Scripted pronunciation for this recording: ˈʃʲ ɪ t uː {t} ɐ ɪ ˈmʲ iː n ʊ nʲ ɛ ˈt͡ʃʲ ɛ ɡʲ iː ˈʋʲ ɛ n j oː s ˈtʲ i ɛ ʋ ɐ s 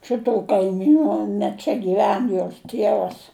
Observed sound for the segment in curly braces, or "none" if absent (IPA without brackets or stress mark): k